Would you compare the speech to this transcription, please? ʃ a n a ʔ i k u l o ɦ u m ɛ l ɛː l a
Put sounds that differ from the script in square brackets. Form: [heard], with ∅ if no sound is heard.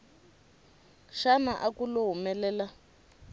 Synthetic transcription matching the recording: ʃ a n a ʔ [a] k u l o ɦ u m ɛ l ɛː l a